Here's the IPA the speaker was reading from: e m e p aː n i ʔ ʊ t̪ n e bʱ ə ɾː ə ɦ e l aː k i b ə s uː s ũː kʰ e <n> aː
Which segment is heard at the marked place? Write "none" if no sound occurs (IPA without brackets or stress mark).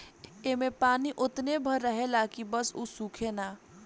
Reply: n